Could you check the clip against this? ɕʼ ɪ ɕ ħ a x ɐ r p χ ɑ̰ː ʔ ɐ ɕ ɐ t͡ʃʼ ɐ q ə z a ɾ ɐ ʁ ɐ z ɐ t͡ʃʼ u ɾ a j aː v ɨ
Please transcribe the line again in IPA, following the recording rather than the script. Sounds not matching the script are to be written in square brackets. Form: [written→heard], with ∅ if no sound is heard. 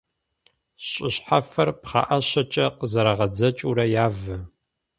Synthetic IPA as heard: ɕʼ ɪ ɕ ħ a [x→f] ɐ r p χ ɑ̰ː ʔ ɐ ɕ ɐ t͡ʃʼ ɐ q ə z [a→ɐ] ɾ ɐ ʁ ɐ [z→d͡z] ɐ t͡ʃʼ u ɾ [a→ɐ] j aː v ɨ